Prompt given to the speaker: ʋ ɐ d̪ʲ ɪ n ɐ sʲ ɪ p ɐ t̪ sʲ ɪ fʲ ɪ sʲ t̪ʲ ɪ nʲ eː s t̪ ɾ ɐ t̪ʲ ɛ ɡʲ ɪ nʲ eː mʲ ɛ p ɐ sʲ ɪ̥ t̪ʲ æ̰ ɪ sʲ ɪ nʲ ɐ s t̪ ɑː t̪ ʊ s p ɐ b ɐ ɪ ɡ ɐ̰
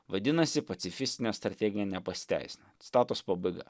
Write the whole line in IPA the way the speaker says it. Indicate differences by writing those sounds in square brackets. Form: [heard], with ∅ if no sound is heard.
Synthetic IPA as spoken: ʋ ɐ d̪ʲ ɪ n ɐ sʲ ɪ p ɐ t̪ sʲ ɪ fʲ ɪ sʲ t̪ʲ ɪ nʲ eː s t̪ ɾ ɐ t̪ʲ ɛ ɡʲ ɪ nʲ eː [nʲ] ɛ p ɐ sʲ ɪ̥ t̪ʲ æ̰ ɪ sʲ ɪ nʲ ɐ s t̪ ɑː t̪ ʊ s p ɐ b ɐ ɪ ɡ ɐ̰